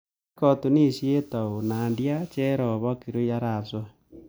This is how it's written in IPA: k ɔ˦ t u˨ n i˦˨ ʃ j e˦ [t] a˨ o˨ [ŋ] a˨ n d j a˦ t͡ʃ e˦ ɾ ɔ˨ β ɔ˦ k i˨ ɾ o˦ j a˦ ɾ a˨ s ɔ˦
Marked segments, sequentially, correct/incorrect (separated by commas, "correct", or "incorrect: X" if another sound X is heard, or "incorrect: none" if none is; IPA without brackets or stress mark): correct, incorrect: n